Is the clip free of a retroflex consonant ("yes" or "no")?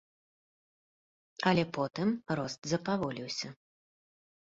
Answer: yes